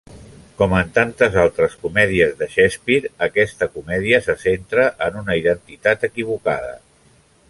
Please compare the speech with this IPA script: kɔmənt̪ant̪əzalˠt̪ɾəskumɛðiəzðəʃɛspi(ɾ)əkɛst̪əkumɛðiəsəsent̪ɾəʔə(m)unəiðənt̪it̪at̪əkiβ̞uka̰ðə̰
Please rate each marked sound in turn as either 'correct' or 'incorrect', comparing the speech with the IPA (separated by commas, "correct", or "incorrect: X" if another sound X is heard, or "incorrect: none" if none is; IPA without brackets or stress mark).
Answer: correct, incorrect: n